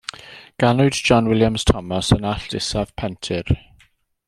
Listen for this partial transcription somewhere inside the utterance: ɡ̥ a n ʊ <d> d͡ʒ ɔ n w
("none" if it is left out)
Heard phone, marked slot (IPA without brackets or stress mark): d